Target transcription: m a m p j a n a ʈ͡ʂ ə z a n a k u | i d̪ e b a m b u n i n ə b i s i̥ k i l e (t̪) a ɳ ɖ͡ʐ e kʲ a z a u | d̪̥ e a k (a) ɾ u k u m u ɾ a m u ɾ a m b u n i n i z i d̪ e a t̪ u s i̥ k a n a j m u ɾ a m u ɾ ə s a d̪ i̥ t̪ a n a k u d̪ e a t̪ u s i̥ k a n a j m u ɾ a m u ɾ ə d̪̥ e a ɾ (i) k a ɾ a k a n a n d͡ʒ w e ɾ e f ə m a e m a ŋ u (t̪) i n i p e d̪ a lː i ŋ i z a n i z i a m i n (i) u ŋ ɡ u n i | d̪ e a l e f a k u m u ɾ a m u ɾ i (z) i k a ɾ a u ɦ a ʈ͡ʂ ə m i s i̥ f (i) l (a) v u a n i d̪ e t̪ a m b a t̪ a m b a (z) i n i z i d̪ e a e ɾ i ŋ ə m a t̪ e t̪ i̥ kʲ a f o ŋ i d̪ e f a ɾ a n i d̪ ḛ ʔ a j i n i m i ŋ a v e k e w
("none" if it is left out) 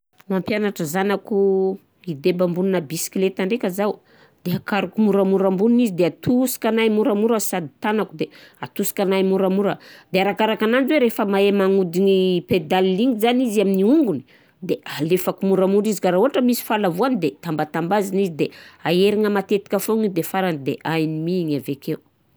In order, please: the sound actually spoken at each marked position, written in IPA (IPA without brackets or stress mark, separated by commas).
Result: t̪, a, a, d̪, i, z, a, a, z